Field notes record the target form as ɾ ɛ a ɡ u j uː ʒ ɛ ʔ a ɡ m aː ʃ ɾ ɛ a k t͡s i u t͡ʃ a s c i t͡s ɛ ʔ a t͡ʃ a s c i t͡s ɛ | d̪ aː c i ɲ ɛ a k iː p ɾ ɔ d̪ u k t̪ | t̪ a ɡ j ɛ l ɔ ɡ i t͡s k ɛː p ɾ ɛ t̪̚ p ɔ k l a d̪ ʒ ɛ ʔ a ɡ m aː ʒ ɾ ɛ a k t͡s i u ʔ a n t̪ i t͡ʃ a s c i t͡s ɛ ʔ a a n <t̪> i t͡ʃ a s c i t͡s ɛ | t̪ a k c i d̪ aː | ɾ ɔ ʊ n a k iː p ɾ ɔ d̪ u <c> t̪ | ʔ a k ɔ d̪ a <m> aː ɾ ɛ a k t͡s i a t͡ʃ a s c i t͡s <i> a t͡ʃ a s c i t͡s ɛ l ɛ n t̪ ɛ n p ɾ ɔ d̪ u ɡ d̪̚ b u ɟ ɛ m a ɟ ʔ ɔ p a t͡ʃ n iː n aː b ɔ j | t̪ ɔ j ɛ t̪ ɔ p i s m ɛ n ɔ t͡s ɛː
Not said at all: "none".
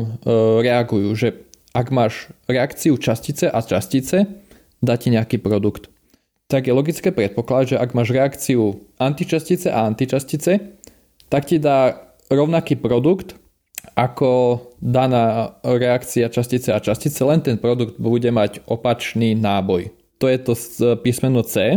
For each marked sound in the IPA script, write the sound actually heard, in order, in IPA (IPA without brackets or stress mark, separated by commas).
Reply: t̪, k, n, ɛ